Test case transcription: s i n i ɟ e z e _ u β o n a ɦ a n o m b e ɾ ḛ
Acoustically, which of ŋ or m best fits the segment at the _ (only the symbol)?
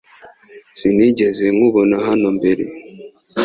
ŋ